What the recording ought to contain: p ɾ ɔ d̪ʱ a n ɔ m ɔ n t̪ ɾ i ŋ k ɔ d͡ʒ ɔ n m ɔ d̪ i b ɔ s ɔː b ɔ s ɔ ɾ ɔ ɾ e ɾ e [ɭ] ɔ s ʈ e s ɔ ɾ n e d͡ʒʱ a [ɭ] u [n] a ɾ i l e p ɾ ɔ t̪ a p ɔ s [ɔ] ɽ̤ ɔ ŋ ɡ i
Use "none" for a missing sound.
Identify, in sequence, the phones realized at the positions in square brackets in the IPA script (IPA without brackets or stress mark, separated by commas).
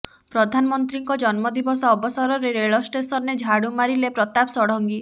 ɭ, ɽ, m, ɔ